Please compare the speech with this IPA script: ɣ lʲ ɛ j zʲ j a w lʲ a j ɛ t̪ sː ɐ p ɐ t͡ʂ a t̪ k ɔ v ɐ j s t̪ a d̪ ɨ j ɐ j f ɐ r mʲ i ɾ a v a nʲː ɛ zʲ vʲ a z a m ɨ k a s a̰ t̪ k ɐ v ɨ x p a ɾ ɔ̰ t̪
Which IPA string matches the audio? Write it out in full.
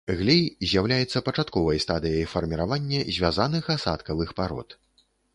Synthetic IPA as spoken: ɣ lʲ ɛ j zʲ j a w lʲ a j ɛ t̪ sː ɐ p ɐ t͡ʂ a t̪ k ɔ v ɐ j s t̪ a d̪ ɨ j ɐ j f ɐ r mʲ i ɾ a v a nʲː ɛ zʲ vʲ a z a n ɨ x a s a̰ t̪ k ɐ v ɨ x p a ɾ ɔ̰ t̪